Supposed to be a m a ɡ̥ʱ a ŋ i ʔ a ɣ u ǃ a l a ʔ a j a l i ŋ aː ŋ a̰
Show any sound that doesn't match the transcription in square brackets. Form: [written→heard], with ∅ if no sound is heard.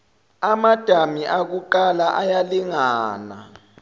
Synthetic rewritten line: a m a [ɡ̥ʱ→d̥ʱ] a [ŋ→m] i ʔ a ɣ u ǃ a l a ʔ a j a l i ŋ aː [ŋ→n] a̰